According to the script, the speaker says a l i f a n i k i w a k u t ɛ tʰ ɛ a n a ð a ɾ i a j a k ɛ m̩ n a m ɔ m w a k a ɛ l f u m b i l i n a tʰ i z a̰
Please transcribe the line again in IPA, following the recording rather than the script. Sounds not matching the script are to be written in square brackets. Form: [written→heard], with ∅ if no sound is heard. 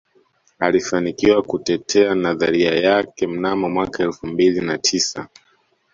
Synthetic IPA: a l i f a n i k i w a k u t ɛ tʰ ɛ a n a ð a ɾ i a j a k ɛ m̩ n a m ɔ m w a k a ɛ l f u m b i l i n a tʰ i [z→s] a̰